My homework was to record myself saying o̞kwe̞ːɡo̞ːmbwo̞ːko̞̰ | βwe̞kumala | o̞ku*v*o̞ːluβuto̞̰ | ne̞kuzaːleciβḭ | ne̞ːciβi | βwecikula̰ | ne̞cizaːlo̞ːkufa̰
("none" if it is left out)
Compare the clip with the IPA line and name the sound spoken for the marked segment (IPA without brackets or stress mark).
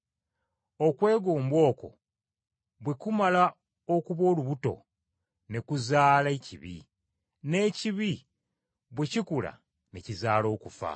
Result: β